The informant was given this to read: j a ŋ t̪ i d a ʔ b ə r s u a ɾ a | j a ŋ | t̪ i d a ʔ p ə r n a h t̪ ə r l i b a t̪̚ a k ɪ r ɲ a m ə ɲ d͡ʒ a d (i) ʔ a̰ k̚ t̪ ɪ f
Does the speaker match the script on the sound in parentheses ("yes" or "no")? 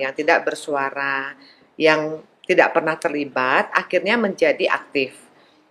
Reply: yes